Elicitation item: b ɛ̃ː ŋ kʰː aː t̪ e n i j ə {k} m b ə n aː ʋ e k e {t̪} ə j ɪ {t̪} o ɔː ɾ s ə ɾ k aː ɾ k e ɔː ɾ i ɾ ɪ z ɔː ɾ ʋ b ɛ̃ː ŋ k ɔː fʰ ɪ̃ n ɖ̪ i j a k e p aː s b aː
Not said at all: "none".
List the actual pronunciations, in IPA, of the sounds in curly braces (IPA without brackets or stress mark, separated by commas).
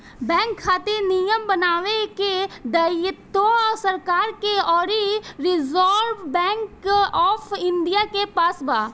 none, d̪, t̪